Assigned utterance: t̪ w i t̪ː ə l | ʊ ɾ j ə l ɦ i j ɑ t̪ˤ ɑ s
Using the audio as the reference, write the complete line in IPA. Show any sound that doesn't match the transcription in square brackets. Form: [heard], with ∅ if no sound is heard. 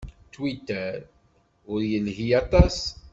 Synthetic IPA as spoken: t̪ w i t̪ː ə [ɾ] | ʊ ɾ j ə l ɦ i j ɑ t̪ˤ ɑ s